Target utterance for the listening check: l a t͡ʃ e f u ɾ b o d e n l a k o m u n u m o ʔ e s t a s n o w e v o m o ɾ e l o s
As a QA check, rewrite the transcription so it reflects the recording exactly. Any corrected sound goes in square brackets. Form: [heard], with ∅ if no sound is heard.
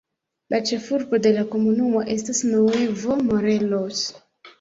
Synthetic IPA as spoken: l a t͡ʃ e f u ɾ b o d e [∅] l a k o m u n u m o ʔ e s t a s n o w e v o m o ɾ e l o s

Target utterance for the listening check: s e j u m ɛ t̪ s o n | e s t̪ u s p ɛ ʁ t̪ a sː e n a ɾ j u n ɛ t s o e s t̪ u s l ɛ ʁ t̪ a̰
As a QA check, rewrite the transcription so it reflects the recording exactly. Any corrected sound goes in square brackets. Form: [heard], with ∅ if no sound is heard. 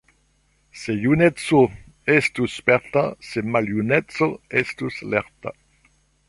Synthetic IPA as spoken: s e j u [n] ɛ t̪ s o [∅] | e s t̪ u s p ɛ ʁ t̪ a [s] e [m] a [l] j u n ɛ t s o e s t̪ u s l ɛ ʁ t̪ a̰

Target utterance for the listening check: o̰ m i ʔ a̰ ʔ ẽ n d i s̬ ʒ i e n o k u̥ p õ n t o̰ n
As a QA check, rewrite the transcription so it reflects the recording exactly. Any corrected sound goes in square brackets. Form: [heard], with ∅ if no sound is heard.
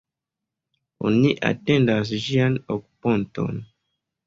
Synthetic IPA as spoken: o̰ [n] i ʔ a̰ [t] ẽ n d [a] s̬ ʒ i [a] n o k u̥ p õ n t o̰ n

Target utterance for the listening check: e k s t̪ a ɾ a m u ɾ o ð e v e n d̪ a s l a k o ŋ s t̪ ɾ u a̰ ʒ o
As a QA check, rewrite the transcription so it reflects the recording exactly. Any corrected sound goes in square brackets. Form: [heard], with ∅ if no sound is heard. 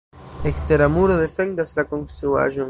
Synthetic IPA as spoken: e k s t̪ [e] ɾ a m u ɾ o ð e [f] e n d̪ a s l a k o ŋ s t̪ ɾ u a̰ ʒ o

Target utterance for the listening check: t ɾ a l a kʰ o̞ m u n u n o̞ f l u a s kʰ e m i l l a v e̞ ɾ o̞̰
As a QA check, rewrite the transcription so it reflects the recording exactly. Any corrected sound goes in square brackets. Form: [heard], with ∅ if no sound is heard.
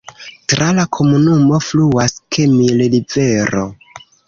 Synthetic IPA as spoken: t ɾ a l a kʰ o̞ m u n u [m] o̞ f l u a s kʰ e m i l l [i] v e̞ ɾ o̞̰

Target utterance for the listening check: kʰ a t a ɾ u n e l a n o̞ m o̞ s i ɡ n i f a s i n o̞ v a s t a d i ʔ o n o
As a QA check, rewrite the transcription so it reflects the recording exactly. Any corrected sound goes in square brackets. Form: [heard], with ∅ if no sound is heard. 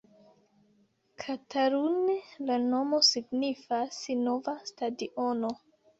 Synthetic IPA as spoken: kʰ a t a ɾ u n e l a n o̞ m o̞ s i ɡ n i f a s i n o̞ v a s t a d i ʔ o n o

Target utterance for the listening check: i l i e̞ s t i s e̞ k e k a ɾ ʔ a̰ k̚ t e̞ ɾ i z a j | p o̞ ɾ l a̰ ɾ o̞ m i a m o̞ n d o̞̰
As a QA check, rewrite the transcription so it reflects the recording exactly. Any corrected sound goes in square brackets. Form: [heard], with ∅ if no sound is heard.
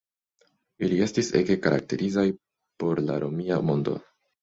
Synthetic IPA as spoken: i l i e̞ s t i s e̞ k e k a ɾ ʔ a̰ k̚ t e̞ ɾ i z a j | p o̞ ɾ l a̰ ɾ o̞ m i a m o̞ n d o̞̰

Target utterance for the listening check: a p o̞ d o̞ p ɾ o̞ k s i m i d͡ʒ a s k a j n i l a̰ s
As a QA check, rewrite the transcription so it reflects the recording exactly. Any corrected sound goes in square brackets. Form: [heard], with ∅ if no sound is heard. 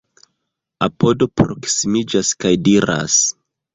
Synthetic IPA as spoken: a p o̞ d o̞ p ɾ o̞ k s i m i d͡ʒ a s k a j [d] i [ɾ] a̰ s

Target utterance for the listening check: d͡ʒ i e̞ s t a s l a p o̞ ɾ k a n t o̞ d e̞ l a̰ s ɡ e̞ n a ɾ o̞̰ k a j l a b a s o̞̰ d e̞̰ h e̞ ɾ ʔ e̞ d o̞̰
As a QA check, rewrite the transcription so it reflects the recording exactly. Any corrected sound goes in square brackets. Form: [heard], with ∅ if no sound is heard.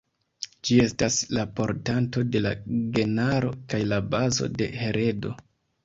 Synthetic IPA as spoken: d͡ʒ i e̞ s t a s l a p o̞ ɾ [t] a n t o̞ d e̞ l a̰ [∅] ɡ e̞ n a ɾ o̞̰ k a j l a b a [z] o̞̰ d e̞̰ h e̞ ɾ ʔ e̞ d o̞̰

